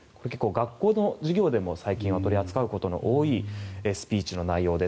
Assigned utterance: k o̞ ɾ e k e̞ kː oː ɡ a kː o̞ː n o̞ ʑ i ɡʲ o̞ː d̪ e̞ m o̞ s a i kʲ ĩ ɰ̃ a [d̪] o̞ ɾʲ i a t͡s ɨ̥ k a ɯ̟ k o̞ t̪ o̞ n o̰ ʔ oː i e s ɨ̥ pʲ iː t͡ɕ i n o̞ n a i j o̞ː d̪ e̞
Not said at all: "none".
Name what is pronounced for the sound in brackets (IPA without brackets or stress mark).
t̪